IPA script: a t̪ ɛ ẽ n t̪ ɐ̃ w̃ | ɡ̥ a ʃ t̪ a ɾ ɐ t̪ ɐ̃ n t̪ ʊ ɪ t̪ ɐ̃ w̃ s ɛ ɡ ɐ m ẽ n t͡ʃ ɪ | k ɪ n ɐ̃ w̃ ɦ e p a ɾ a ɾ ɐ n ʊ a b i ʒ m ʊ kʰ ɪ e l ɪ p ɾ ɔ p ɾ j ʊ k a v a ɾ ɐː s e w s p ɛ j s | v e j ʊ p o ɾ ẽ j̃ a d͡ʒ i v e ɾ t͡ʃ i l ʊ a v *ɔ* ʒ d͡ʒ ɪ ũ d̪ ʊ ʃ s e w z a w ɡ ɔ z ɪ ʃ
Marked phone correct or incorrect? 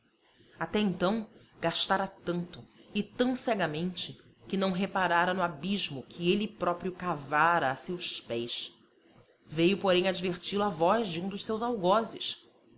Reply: correct